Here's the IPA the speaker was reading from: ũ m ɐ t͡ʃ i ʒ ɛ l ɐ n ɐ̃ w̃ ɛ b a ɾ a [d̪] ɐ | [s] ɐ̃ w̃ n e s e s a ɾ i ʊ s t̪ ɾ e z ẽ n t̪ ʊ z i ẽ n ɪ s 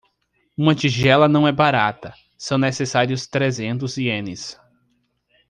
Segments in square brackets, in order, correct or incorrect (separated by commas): incorrect, correct